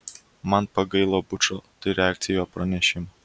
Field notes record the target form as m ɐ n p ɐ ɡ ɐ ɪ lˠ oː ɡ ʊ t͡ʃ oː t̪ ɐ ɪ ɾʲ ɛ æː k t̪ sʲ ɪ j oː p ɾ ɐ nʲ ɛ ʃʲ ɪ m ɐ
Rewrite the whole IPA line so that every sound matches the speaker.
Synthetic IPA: m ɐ n p ɐ ɡ ɐ ɪ lˠ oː b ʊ t͡ʃ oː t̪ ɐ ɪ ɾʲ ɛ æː k t̪ sʲ ɪ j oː p ɾ ɐ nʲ ɛ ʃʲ ɪ m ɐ